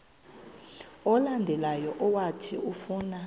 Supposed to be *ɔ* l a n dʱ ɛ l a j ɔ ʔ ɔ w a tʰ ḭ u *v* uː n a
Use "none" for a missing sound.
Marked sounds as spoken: ɔ, f

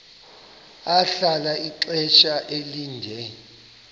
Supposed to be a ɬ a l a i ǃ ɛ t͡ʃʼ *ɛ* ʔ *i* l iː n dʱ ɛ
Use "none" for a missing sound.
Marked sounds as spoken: a, e

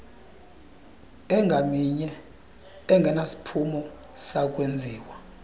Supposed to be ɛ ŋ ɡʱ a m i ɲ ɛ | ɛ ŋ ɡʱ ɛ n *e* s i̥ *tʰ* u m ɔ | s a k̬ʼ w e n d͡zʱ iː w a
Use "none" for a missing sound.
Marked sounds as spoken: a, pʰ

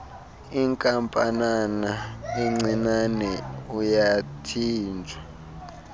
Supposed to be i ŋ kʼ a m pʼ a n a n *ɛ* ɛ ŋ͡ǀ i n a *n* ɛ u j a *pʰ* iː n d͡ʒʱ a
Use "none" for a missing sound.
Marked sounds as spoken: a, n, tʰ

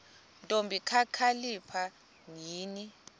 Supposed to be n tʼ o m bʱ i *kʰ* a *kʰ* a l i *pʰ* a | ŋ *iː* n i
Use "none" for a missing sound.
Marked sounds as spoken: kʰ, kʰ, pʰ, iː

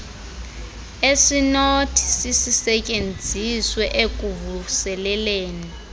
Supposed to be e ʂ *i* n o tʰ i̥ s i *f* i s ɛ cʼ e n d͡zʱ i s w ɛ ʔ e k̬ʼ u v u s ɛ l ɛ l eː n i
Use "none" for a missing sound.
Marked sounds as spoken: i, s

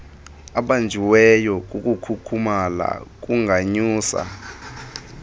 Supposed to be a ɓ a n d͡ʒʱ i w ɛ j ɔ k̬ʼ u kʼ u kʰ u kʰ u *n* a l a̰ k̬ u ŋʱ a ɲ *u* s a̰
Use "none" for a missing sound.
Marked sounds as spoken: m, uː

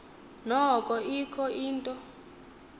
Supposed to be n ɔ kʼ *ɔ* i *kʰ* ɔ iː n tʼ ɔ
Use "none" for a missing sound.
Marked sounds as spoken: ɔ, kʰ

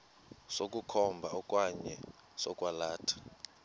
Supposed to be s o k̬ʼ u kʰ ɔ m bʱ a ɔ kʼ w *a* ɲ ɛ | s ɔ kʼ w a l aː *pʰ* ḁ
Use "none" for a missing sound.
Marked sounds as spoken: a, tʰ

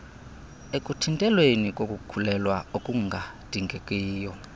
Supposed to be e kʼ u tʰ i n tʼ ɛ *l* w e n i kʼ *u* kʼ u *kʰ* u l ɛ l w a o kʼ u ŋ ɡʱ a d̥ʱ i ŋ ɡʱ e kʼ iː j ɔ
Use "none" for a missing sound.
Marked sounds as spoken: l, o, kʰ

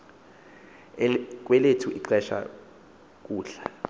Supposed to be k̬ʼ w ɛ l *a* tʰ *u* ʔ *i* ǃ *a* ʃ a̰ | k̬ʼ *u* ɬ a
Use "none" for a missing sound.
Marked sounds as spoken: e, u, i, ɛ, uː

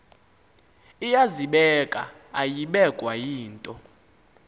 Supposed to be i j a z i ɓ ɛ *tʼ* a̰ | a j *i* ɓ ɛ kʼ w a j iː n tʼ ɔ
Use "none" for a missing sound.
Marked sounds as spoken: kʼ, i

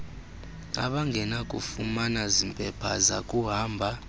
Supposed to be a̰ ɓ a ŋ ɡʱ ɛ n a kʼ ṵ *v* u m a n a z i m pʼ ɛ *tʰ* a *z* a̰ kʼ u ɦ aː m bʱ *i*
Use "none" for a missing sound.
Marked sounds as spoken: f, pʰ, z, a

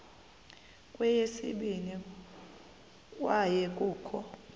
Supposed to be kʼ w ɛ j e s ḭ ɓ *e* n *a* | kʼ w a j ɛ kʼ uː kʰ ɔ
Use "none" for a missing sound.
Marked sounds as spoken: i, i

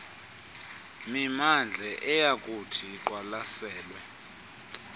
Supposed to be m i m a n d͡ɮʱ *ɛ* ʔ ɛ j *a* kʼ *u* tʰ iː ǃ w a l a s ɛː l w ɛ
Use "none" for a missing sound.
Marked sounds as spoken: ɛ, a, u

